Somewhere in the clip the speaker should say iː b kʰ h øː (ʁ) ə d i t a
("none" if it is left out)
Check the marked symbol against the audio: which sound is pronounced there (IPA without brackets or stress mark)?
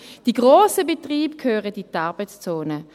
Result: ʁ